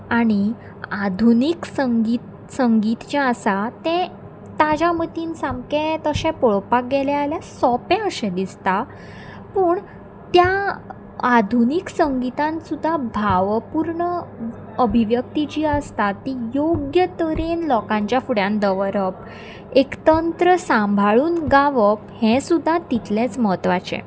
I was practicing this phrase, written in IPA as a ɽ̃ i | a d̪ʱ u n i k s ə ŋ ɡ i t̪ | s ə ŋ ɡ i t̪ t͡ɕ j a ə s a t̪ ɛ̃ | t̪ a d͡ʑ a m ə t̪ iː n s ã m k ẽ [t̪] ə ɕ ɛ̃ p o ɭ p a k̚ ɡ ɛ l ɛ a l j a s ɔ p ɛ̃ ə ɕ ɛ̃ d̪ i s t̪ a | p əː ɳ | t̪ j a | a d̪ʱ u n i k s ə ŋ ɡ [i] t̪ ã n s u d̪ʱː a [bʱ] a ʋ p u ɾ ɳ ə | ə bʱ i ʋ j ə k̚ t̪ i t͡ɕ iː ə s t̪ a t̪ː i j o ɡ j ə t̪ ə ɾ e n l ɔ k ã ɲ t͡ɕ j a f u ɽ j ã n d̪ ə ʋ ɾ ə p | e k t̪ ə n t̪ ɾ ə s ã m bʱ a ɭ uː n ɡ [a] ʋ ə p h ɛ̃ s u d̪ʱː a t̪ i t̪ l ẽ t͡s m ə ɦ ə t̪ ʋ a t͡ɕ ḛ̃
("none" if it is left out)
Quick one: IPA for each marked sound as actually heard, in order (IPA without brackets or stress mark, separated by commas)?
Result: t̪, i, bʱ, a